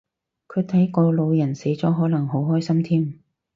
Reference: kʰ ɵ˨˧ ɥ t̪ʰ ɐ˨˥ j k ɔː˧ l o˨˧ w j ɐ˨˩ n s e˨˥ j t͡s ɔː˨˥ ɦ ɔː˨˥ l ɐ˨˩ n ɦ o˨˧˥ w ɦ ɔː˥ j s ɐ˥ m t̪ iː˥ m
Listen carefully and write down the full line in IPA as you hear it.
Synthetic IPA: kʰ ɵ˨˧ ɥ t̪ʰ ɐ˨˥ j k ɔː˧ l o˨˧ w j ɐ˨˩ n s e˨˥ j t͡s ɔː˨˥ ɦ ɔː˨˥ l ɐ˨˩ ŋ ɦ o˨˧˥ w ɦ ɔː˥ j s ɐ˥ m t̪ʰ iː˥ m